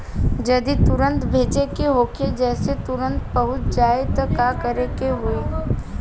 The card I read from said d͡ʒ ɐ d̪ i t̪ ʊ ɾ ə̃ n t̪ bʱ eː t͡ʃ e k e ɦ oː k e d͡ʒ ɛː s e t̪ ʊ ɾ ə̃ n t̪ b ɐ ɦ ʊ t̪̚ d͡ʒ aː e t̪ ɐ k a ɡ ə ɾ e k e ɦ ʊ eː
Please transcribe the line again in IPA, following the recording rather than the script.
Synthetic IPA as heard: d͡ʒ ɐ d̪ i t̪ ʊ ɾ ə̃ n t̪ bʱ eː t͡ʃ e k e ɦ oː k e d͡ʒ ɛː s e t̪ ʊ ɾ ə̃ n t̪ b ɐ ɦ ʊ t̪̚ d͡ʒ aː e t̪ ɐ k a k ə ɾ e k e ɦ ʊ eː